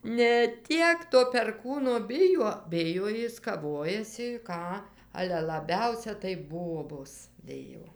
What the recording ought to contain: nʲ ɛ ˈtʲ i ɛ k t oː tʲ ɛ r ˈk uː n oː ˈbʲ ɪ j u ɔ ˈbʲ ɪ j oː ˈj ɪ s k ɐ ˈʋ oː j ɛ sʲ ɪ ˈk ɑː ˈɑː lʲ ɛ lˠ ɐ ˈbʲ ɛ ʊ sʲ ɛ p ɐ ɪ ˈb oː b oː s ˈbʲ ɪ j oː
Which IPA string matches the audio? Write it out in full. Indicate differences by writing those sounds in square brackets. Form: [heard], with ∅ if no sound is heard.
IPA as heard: nʲ ɛ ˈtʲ i ɛ k t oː [pʲ] ɛ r ˈk uː n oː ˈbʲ ɪ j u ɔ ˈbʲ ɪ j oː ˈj ɪ s k ɐ ˈʋ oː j ɛ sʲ ɪ ˈk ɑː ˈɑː lʲ ɛ lˠ ɐ ˈbʲ ɛ ʊ sʲ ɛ [t] ɐ ɪ ˈb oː b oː s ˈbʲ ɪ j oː